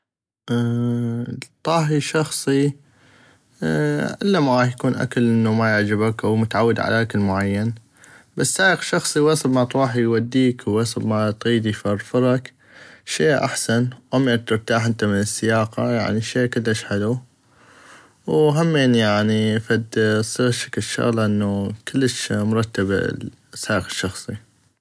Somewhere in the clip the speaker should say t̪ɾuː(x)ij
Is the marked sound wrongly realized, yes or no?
yes